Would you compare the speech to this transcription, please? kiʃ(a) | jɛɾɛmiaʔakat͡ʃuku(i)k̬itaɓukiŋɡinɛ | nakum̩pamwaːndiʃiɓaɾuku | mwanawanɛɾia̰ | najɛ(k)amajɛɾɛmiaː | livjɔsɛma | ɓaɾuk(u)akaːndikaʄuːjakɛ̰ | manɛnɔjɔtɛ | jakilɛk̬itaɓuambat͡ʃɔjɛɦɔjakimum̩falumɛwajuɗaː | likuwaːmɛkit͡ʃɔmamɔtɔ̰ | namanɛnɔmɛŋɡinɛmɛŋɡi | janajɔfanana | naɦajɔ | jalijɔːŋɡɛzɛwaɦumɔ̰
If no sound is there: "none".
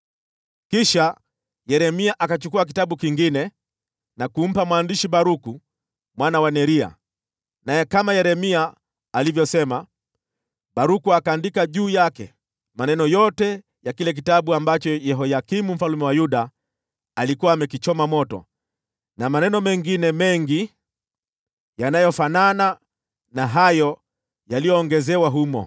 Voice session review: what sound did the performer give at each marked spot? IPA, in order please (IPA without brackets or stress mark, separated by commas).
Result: a, a, k, u